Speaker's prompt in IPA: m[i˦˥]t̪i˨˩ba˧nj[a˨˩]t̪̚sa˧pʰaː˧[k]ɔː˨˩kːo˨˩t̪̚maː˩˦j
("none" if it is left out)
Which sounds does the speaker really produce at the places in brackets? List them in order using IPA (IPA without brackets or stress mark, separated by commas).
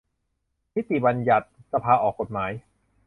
i˦˥, a˨˩, ʔ